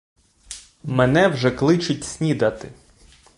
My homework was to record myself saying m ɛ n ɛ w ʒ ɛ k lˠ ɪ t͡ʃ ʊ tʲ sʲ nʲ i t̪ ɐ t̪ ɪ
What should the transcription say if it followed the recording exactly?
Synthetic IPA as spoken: m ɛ n ɛ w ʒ ɛ k lˠ ɪ t͡ʃ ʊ tʲ sʲ nʲ i d̪ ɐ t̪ ɪ